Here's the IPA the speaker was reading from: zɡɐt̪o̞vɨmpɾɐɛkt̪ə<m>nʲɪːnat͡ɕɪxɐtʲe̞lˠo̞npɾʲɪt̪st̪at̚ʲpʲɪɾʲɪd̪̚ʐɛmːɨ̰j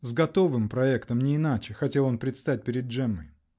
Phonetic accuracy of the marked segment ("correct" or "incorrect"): correct